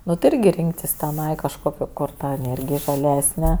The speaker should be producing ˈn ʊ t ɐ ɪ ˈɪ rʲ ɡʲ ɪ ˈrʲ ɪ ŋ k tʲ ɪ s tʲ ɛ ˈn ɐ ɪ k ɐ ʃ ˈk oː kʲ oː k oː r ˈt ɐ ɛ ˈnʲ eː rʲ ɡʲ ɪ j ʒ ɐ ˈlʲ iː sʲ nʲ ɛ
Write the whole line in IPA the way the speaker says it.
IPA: ˈn ʊ t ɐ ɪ ˈɪ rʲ ɡʲ ɪ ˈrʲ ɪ ŋ k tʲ ɪ s tʲ ɛ ˈn ɐ ɪ k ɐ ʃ ˈk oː kʲ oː k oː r ˈt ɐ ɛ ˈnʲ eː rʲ ɡʲ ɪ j ʒ ɐ ˈlʲ æː sʲ nʲ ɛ